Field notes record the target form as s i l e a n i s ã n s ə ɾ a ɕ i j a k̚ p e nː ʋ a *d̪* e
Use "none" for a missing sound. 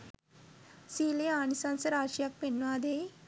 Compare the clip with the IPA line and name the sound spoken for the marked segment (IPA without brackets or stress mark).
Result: d̪